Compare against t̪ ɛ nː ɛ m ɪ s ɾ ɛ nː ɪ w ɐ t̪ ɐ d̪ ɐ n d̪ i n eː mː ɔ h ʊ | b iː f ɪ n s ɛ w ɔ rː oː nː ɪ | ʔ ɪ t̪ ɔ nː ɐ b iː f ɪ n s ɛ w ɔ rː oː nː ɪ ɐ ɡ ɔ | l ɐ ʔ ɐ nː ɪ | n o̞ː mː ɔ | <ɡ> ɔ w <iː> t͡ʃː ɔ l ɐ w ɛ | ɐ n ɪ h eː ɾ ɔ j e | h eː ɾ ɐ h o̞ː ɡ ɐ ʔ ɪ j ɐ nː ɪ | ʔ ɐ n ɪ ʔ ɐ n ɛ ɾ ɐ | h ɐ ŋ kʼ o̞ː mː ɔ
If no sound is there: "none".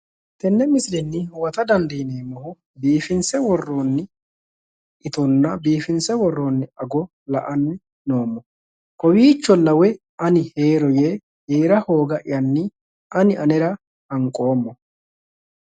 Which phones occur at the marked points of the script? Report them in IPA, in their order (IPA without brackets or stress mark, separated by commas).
k, iː